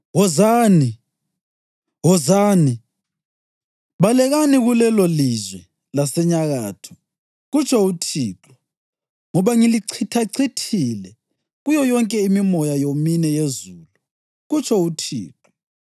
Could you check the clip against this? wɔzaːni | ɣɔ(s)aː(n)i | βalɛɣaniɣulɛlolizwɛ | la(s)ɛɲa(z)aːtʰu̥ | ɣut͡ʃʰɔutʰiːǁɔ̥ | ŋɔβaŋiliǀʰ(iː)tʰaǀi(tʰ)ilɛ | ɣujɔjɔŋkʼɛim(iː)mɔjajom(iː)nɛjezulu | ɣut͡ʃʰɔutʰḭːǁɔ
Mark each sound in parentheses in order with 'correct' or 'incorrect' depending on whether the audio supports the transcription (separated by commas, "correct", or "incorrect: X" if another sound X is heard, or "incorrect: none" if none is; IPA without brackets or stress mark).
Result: incorrect: z, correct, correct, incorrect: ɣ, incorrect: i, correct, incorrect: i, incorrect: i